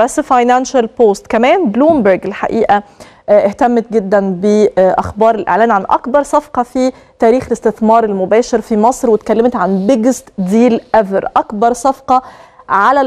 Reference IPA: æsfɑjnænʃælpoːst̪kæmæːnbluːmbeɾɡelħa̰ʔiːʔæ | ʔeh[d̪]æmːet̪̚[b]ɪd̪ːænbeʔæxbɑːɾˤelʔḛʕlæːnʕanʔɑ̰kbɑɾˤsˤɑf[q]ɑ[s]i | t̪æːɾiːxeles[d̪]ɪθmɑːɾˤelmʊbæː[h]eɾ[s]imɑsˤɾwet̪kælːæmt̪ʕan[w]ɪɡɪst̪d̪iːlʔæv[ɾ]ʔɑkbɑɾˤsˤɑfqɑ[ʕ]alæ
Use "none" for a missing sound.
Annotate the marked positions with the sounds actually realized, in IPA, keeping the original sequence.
t̪, ɡ, q, f, t̪, ʃ, f, b, ɾ, ʕ

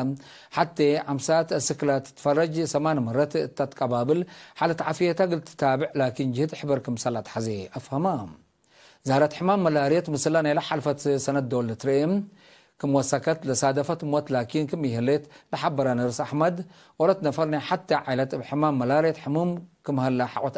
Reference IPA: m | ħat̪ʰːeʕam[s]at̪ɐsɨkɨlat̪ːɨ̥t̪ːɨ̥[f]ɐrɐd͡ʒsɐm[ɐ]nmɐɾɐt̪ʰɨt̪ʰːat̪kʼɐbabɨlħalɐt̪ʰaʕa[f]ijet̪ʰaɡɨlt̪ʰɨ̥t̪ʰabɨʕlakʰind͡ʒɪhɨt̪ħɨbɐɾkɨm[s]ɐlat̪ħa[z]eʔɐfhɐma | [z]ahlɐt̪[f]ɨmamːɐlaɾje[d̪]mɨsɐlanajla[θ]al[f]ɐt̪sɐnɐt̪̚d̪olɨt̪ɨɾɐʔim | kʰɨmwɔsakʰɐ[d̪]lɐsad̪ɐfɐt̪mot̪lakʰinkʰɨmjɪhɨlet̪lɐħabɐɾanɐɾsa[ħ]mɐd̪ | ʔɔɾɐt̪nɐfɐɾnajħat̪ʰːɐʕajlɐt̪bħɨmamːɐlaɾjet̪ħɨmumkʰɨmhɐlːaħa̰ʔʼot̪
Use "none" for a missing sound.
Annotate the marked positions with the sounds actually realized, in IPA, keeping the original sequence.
s, f, a, f, s, z, z, ħ, t̪, ħ, f, t̪, ħ

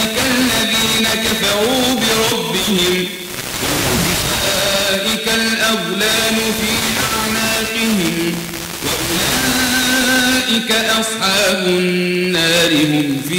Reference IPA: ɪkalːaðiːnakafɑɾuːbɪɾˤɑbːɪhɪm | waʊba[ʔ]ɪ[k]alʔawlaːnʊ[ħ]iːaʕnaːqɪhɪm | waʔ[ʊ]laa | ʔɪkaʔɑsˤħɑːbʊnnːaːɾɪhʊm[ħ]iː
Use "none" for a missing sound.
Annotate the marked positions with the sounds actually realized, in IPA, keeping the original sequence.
ʔ, k, f, ʊ, f

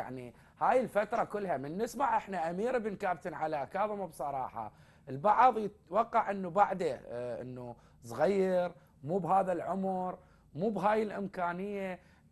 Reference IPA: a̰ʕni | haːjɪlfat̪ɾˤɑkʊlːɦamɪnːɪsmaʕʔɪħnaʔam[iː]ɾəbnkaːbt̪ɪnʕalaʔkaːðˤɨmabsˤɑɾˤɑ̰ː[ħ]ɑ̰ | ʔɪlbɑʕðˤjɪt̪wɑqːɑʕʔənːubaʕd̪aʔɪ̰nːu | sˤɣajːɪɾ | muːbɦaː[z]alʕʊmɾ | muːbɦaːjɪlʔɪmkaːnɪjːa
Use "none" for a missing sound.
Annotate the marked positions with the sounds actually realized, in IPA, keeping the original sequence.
iː, ħ, ð

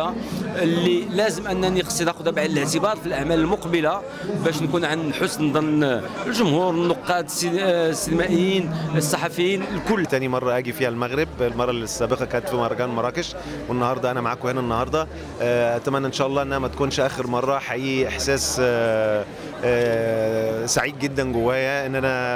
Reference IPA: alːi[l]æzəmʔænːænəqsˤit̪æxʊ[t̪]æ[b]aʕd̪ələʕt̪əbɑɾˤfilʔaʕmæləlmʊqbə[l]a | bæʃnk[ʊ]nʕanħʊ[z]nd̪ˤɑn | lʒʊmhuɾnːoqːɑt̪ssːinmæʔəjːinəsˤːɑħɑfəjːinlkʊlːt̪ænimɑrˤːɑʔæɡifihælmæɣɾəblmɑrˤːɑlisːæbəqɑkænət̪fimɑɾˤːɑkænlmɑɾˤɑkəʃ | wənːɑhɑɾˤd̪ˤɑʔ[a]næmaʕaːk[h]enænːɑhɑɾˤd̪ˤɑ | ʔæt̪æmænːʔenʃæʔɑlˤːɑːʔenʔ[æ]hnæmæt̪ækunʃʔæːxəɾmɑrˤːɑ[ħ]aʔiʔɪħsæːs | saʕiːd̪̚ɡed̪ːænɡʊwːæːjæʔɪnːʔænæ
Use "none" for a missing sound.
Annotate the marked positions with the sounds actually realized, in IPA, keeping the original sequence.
l, d̪, b, l, u, s, æ, h, æ, ħ

